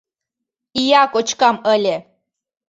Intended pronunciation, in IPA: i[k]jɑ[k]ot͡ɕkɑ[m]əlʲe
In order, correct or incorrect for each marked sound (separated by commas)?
incorrect, correct, correct